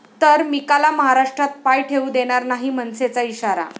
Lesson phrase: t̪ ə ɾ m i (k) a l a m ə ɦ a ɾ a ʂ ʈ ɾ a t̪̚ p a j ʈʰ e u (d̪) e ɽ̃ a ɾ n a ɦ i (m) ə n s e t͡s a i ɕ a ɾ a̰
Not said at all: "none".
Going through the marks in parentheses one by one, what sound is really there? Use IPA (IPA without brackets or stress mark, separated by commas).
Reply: k, d̪, m